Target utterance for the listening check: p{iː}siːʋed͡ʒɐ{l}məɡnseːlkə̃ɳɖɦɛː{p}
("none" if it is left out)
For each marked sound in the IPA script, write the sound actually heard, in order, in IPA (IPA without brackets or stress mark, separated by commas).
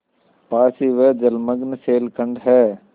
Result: aː, l, none